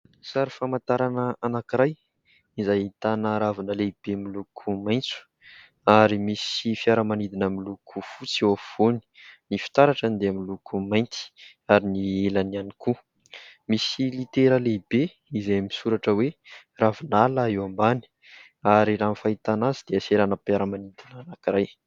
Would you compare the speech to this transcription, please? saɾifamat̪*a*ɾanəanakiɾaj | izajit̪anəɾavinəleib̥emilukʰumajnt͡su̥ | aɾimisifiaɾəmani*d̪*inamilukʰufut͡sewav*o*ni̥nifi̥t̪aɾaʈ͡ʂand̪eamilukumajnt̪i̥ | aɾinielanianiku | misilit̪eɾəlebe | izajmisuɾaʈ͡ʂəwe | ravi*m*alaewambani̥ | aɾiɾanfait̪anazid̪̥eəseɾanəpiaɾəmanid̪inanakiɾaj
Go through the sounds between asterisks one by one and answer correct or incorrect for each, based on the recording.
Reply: correct, correct, correct, incorrect: n

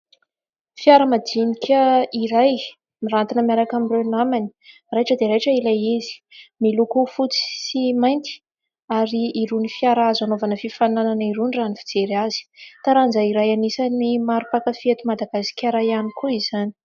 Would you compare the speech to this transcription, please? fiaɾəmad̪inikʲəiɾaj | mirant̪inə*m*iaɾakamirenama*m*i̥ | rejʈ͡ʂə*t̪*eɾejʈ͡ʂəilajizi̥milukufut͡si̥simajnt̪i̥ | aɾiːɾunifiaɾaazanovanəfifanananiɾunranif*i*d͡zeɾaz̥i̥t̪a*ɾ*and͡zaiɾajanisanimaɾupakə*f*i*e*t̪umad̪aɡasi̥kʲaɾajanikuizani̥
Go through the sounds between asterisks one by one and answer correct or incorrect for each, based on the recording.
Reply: correct, incorrect: n, incorrect: d̪, correct, correct, correct, correct

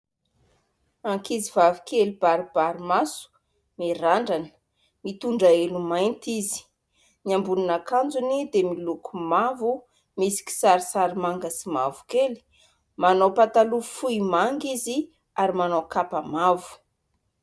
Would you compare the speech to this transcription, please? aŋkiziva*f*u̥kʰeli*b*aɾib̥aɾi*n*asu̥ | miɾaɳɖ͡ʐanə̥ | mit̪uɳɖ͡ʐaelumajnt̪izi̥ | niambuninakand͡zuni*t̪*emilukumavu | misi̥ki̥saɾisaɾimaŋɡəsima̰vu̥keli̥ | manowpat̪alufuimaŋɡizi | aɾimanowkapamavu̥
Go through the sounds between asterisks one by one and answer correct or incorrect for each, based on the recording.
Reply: incorrect: v, correct, incorrect: m, incorrect: d̪

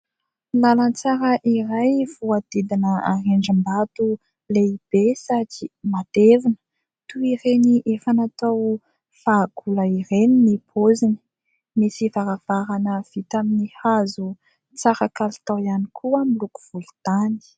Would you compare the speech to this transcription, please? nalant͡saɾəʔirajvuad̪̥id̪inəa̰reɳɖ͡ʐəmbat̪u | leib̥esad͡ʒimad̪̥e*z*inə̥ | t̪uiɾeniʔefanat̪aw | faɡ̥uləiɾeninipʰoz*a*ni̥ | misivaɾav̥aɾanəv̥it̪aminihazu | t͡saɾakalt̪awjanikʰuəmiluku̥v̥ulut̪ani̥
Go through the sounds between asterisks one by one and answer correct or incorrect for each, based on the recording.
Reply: incorrect: v, incorrect: i

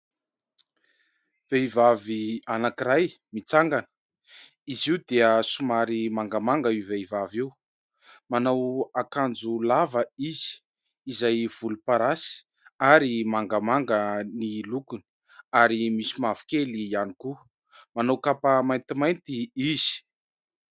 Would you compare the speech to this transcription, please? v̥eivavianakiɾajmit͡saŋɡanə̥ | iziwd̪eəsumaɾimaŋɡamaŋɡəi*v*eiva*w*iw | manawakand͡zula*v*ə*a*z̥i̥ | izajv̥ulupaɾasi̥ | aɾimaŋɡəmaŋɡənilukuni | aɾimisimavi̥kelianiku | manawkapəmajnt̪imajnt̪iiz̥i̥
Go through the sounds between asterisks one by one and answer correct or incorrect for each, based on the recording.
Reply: correct, incorrect: v, correct, incorrect: i

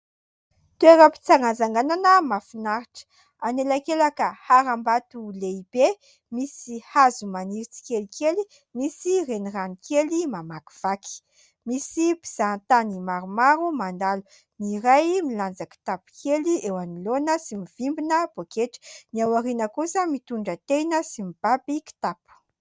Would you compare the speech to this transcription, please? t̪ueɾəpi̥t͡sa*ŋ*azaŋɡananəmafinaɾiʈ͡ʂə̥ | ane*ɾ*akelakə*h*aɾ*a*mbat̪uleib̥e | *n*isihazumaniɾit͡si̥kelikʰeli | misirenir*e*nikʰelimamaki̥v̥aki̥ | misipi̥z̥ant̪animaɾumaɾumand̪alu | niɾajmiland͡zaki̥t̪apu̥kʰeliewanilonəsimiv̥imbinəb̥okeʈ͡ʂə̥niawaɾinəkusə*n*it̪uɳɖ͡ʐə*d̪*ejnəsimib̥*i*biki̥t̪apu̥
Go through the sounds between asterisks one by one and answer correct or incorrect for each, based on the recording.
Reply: correct, incorrect: l, correct, correct, incorrect: m, incorrect: a, incorrect: m, incorrect: t̪, incorrect: a

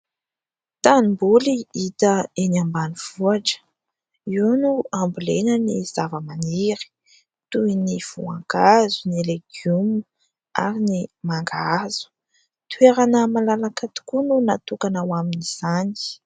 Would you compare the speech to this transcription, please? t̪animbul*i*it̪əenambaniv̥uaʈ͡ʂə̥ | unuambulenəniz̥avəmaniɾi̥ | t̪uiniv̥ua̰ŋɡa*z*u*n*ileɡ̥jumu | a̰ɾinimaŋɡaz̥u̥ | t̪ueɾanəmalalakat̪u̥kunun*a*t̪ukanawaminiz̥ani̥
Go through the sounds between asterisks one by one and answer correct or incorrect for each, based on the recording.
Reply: correct, correct, correct, correct

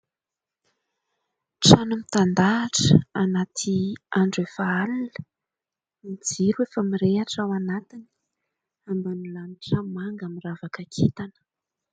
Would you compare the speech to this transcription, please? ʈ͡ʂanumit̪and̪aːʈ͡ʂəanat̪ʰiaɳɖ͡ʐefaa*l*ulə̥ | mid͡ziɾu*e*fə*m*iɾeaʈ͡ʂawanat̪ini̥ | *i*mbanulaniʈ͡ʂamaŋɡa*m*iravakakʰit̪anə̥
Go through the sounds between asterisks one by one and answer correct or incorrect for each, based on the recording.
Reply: correct, correct, correct, incorrect: a, correct

